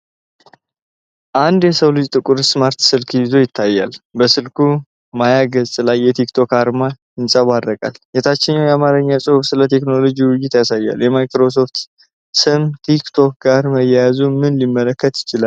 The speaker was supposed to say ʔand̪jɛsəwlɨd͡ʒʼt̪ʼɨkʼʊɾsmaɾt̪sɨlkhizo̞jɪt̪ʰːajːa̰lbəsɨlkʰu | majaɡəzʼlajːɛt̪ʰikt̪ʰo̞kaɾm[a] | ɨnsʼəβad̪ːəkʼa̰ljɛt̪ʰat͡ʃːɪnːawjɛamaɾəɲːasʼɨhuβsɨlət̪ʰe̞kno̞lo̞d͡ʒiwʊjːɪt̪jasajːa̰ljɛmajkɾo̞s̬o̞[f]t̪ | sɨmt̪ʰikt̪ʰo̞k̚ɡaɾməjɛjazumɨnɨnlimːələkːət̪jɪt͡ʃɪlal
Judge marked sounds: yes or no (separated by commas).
yes, yes